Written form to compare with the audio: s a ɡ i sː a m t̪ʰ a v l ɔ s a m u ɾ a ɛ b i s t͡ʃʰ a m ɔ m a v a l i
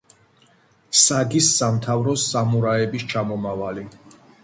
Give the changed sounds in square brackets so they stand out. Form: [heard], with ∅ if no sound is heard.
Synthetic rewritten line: s a ɡ i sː a m t̪ʰ a v [ɾ] ɔ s a m u ɾ a ɛ b i s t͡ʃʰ a m ɔ m a v a l i